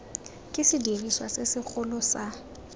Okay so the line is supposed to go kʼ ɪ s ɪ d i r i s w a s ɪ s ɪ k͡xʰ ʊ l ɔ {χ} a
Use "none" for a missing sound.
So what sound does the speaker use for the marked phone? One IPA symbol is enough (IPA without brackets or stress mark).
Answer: s